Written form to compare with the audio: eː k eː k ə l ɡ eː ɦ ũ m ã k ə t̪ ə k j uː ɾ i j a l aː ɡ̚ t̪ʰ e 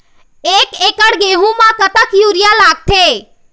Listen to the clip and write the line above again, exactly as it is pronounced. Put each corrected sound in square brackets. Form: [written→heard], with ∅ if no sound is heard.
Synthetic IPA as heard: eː k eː k ə [l→ɽ] ɡ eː ɦ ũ m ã k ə t̪ ə k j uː ɾ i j a l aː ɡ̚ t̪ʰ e